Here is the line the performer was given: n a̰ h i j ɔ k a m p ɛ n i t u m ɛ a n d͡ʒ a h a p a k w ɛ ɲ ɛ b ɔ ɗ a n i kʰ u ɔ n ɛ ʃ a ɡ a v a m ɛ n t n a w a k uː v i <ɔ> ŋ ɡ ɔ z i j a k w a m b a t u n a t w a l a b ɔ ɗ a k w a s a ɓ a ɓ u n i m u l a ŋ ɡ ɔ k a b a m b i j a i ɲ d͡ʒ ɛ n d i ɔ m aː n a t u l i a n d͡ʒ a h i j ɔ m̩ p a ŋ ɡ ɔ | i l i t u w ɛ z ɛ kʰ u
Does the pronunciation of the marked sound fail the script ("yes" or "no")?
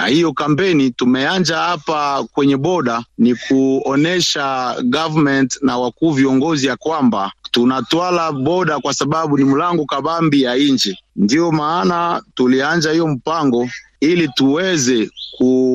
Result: no